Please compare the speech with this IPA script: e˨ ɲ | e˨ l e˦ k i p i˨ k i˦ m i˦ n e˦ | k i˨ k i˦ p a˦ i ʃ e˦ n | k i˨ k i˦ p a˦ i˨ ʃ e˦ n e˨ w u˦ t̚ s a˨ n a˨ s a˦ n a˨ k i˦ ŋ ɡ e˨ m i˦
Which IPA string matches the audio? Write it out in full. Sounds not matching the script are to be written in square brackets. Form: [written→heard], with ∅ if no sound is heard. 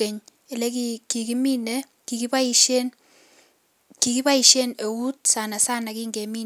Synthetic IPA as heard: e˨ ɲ | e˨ l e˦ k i [p→k] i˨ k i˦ m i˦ n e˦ | k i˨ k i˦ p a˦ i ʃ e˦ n | k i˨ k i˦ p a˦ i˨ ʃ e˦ n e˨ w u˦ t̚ s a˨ n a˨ s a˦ n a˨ k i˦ ŋ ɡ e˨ m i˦